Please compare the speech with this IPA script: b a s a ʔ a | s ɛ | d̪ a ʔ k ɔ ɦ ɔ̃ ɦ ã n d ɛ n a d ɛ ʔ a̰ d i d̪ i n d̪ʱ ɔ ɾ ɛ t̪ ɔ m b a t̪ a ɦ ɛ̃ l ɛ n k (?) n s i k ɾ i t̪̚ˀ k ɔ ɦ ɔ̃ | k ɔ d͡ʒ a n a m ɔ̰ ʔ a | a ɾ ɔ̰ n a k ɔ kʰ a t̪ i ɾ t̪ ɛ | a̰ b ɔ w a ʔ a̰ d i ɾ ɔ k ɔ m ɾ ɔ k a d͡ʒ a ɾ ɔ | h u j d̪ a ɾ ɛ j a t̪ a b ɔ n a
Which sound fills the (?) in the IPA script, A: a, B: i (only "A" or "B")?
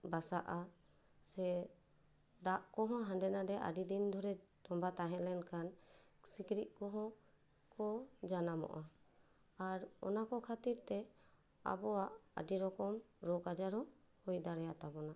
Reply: A